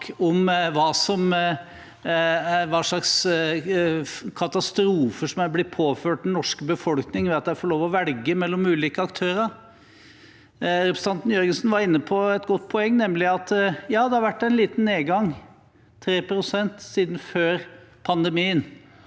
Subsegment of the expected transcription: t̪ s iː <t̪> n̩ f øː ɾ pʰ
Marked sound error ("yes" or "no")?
yes